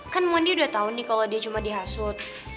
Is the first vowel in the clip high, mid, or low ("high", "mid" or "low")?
low